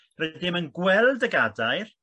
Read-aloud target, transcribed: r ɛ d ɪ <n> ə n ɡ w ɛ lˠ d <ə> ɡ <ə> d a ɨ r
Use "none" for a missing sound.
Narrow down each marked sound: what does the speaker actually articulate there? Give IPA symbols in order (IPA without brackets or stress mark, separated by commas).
m, ə, a